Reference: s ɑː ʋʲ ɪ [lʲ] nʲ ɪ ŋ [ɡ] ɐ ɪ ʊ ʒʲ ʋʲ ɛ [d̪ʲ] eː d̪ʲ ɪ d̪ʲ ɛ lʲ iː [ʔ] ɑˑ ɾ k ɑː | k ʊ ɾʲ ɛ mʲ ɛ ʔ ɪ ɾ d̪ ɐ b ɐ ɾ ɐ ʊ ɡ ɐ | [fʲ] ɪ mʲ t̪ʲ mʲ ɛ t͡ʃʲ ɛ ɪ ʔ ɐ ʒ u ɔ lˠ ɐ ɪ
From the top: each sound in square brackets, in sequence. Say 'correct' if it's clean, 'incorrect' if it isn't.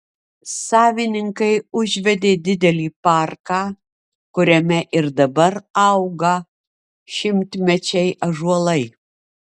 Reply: incorrect, incorrect, correct, incorrect, incorrect

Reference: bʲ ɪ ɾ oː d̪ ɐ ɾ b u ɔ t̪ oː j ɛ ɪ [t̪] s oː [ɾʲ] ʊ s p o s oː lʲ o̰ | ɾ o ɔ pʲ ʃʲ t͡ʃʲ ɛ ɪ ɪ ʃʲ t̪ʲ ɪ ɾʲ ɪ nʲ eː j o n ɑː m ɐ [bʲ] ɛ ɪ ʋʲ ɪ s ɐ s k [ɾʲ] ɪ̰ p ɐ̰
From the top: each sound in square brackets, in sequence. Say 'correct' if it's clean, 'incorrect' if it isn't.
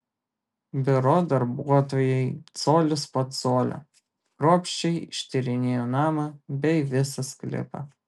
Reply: correct, incorrect, correct, incorrect

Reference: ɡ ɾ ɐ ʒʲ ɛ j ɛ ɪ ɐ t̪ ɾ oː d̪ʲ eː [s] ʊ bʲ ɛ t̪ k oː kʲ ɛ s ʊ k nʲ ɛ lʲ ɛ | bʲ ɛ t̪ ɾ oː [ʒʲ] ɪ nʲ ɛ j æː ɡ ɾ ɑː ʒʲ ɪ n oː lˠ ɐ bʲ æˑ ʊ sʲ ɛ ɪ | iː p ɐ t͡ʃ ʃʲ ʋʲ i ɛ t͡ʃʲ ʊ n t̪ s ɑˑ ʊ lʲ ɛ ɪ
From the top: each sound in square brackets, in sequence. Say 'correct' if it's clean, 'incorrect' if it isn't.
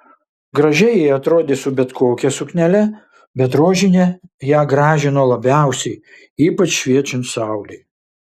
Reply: correct, correct

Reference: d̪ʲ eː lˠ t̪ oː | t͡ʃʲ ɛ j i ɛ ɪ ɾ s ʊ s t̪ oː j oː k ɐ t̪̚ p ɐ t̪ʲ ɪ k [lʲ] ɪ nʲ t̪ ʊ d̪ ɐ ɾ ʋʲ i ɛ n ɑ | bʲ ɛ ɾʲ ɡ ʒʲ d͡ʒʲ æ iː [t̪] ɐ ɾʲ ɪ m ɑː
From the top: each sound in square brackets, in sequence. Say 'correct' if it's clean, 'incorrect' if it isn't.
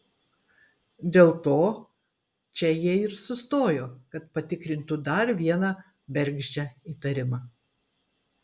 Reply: incorrect, correct

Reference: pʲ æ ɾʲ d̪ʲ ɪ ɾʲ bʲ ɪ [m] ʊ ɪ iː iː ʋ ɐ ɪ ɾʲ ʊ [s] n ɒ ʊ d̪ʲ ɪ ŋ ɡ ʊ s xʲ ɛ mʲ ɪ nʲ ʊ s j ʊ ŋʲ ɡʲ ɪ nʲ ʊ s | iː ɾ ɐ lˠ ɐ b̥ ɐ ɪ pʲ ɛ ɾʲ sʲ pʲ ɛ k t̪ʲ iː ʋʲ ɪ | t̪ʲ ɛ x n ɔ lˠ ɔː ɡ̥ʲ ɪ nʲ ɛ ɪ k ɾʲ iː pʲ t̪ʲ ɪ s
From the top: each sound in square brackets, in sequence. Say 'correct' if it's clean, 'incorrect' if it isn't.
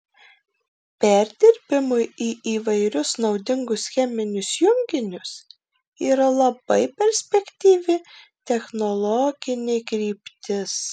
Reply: correct, correct

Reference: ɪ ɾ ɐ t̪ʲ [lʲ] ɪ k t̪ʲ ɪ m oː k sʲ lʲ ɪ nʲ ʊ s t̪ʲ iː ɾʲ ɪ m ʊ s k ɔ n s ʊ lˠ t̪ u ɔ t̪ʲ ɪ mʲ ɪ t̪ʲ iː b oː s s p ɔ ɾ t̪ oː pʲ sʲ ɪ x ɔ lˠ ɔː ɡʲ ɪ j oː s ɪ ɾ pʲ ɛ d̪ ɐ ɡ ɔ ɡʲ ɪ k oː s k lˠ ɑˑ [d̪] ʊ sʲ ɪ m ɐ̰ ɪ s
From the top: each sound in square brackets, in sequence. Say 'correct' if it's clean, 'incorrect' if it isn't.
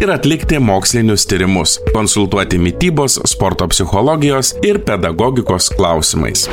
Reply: correct, incorrect

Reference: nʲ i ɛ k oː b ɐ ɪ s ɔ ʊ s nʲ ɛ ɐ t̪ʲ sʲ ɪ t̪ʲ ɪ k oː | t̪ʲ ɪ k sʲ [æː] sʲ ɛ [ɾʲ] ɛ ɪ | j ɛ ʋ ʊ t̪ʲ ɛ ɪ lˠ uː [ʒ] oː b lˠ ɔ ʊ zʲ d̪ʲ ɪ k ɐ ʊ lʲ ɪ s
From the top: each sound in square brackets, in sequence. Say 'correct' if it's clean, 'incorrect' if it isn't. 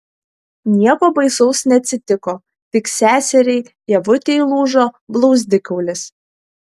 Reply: correct, correct, correct

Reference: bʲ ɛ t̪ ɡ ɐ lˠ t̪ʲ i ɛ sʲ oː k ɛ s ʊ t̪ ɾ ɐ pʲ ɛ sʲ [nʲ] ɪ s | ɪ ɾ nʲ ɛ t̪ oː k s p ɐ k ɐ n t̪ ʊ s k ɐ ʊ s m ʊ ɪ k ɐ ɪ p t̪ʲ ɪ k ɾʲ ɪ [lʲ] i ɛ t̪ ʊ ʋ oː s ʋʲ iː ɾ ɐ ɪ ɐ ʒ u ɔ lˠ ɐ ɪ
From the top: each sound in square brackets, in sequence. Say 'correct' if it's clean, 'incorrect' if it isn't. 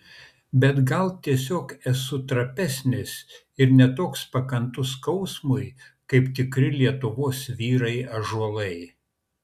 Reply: correct, correct

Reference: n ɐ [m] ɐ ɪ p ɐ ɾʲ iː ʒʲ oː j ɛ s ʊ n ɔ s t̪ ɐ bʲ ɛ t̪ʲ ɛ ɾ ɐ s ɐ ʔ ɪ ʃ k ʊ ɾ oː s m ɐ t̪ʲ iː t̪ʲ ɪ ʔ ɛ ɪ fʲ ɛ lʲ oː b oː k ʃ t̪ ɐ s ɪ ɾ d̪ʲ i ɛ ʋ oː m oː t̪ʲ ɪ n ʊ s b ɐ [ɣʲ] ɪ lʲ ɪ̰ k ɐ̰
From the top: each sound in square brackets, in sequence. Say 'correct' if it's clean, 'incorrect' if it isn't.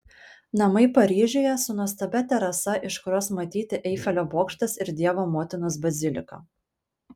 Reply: correct, incorrect

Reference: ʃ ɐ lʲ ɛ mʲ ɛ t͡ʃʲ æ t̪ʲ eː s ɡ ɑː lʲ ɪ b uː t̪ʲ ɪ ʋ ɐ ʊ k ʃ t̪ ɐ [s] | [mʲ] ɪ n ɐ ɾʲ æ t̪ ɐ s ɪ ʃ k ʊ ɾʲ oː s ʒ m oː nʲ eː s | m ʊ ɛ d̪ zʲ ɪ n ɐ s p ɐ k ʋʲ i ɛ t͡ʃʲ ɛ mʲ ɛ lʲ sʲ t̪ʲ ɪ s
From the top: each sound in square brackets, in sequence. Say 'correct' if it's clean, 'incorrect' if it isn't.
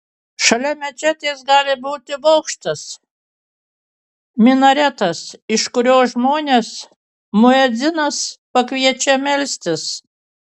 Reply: correct, correct

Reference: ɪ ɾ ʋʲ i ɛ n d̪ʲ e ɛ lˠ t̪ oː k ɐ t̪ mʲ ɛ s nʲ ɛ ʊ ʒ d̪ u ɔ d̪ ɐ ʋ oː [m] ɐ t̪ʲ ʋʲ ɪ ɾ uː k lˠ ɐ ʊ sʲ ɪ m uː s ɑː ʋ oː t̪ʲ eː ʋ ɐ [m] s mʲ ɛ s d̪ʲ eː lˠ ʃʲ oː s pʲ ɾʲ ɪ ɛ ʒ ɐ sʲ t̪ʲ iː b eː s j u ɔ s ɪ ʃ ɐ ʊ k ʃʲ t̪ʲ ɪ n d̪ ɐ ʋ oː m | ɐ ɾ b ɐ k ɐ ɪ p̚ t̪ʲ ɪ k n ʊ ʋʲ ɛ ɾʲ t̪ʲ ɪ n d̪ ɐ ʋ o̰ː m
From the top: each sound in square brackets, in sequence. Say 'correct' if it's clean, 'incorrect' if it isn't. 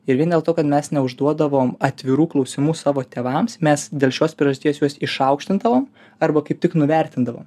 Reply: correct, correct

